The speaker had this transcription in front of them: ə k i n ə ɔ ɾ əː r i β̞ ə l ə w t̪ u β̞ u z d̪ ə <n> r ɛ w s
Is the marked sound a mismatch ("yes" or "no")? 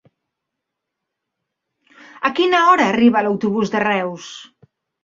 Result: yes